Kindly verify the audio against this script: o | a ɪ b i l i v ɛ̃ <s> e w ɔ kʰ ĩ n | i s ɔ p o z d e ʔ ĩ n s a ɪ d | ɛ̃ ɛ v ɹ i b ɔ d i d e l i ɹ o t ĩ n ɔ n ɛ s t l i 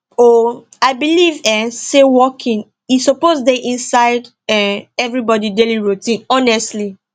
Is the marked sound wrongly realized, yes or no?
no